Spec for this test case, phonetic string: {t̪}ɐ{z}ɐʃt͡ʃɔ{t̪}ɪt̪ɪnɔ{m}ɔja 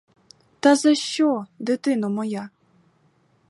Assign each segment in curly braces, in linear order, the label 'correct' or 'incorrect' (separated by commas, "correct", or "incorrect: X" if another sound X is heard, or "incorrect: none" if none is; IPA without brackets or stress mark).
correct, correct, incorrect: d̪, correct